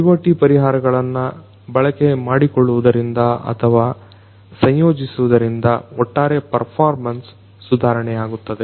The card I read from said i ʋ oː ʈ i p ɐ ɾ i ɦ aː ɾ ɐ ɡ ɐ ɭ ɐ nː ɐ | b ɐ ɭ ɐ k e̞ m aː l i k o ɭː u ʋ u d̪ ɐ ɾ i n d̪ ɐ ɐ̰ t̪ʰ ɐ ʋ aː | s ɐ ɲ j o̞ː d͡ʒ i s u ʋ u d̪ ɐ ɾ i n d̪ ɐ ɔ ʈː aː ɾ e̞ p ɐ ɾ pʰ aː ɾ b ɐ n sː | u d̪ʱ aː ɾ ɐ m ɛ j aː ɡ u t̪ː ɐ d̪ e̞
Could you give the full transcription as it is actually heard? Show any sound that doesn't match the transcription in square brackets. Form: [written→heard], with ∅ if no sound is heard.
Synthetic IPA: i ʋ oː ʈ i p ɐ ɾ i ɦ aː ɾ ɐ ɡ ɐ ɭ ɐ nː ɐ | b ɐ ɭ ɐ k e̞ m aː [l→ɽ] i k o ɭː u ʋ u d̪ ɐ ɾ i n d̪ ɐ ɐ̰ t̪ʰ ɐ ʋ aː | s ɐ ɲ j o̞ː d͡ʒ i s u ʋ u d̪ ɐ ɾ i n d̪ ɐ ɔ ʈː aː ɾ e̞ p ɐ ɾ pʰ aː ɾ [b→m] ɐ n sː | u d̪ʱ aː ɾ ɐ [m→ɳ] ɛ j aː ɡ u t̪ː ɐ d̪ e̞